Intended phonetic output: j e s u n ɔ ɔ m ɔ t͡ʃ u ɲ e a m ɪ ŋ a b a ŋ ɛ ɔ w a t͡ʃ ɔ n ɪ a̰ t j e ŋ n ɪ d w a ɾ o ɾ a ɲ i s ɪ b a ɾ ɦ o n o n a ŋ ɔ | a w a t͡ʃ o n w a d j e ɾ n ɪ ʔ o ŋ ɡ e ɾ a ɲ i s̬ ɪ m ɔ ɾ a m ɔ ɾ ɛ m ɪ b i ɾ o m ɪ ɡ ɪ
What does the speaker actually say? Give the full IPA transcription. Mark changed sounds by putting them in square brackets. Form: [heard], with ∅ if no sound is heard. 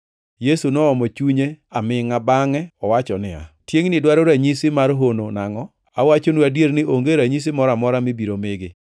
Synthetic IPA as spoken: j e s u n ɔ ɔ m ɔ t͡ʃ u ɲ e a m ɪ ŋ a b a ŋ ɛ ɔ w a t͡ʃ ɔ n ɪ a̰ t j e ŋ n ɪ d w a ɾ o ɾ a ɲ i s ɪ [m] a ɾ ɦ o n o n a ŋ ɔ | a w a t͡ʃ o n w a d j e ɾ n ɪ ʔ o ŋ ɡ e ɾ a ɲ i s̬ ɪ m ɔ ɾ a m ɔ ɾ [a] m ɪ b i ɾ o m ɪ ɡ ɪ